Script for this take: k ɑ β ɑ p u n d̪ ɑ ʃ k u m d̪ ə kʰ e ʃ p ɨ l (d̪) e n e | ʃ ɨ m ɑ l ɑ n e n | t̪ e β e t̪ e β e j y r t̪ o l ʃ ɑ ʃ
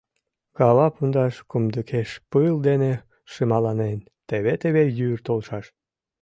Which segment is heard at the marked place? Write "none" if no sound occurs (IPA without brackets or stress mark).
d̪